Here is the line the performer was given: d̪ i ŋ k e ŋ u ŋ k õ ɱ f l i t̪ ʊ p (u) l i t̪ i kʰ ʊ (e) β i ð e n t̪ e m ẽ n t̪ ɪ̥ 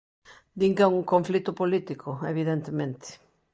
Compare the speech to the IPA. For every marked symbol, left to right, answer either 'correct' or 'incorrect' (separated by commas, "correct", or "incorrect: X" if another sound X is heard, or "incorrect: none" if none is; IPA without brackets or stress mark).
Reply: incorrect: o, correct